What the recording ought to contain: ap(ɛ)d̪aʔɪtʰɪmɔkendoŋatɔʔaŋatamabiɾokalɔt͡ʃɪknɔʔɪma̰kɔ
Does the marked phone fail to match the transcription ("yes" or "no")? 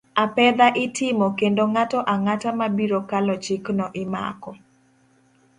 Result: no